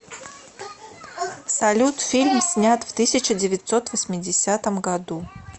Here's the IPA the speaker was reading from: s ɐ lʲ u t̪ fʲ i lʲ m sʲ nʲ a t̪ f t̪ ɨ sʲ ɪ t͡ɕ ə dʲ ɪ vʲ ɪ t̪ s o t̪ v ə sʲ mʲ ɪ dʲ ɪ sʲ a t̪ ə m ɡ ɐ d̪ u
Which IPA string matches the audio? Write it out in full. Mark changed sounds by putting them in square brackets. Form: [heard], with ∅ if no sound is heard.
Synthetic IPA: s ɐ lʲ u t̪ fʲ i lʲ m sʲ nʲ a t̪ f t̪ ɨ sʲ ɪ t͡ɕ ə dʲ ɪ vʲ ɪ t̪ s o t̪ v ə sʲ mʲ ɪ dʲ ɪ sʲ a t̪ ə m ɡ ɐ d̪ u